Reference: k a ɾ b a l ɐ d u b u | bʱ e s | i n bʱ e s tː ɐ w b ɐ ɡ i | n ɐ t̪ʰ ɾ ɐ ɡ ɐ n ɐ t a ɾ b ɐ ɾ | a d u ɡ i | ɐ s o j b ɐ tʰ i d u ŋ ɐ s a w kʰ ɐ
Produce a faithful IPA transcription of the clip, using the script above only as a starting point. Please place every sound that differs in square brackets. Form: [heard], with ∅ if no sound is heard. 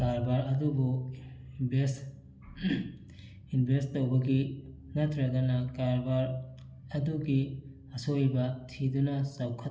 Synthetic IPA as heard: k a ɾ b a [ɾ] ɐ d u b u | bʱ e s | i n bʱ e s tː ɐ w b ɐ ɡ i | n ɐ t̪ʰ ɾ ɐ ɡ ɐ n ɐ [k] a ɾ b [a] ɾ | [ɐ] d u ɡ i | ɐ s o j b ɐ tʰ i d u [n] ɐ s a w kʰ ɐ